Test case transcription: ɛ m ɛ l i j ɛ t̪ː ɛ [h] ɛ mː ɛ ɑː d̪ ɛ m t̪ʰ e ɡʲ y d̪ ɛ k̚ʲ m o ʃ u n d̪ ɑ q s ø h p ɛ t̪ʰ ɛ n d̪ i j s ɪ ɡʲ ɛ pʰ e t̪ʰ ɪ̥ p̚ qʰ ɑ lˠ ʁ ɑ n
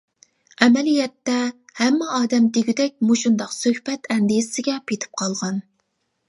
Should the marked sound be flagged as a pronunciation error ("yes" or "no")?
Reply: no